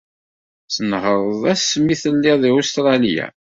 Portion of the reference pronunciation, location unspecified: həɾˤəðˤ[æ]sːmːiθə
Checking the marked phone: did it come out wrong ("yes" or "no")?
no